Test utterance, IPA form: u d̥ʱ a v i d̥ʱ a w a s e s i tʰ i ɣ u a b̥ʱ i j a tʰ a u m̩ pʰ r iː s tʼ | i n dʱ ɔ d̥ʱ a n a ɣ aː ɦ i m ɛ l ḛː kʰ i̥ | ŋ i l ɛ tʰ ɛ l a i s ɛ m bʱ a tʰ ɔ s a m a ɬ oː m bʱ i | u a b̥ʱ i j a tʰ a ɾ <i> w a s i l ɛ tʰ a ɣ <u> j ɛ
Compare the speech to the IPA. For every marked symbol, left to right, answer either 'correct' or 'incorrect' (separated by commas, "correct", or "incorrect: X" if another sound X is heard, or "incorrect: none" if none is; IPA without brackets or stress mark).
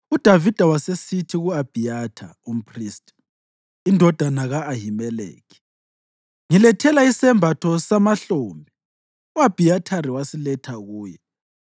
correct, incorrect: uː